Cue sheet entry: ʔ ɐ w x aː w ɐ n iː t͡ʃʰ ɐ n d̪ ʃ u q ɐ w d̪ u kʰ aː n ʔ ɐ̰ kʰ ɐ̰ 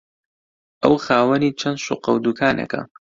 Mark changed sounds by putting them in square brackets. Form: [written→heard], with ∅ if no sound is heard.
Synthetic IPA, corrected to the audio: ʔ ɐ w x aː w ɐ n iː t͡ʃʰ ɐ n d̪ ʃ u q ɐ w d̪ u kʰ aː n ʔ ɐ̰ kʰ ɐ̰